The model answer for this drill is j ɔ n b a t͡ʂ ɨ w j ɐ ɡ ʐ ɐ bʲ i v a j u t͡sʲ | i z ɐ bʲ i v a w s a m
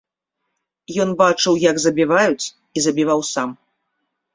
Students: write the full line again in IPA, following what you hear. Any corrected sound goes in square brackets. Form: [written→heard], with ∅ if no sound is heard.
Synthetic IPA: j ɔ n b a t͡ʂ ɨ w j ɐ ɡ [ʐ→z] ɐ bʲ i v a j u t͡sʲ | i z ɐ bʲ i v a w s a m